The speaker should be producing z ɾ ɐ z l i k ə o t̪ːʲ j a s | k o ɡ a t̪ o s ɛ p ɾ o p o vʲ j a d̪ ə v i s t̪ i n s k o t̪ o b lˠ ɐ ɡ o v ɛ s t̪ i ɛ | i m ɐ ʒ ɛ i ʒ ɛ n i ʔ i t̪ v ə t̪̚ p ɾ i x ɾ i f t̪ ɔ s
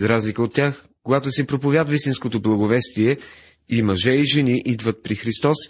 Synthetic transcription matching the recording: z ɾ a z l i k ə o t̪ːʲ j a x | k o ɡ a t̪ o s ɛ p ɾ o p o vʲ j a d̪ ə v i s t̪ i n s k o t̪ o b lˠ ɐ ɡ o v ɛ s t̪ i ɛ | i m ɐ ʒ ɛ i ʒ ɛ n i ʔ i d̪ v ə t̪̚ p ɾ i x ɾ i s t̪ ɔ s